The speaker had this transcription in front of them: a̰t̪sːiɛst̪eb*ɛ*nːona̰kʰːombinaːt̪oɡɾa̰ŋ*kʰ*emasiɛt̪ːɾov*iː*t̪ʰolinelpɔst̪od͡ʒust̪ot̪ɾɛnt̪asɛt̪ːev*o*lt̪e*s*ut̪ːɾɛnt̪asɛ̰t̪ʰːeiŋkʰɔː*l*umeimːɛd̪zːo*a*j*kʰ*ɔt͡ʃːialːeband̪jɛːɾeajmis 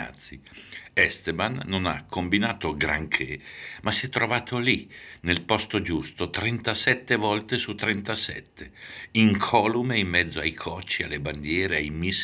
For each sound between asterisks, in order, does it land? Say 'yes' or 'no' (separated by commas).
no, yes, no, no, yes, yes, yes, yes